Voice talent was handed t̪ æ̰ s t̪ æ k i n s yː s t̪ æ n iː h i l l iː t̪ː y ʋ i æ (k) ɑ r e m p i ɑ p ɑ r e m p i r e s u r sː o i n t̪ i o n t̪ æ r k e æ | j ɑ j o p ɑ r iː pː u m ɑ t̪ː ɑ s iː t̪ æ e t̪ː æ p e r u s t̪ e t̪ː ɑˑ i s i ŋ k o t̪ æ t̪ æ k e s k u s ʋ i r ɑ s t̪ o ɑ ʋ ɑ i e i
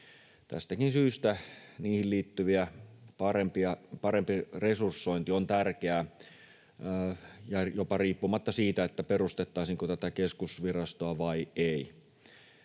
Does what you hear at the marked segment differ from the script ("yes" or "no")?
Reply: yes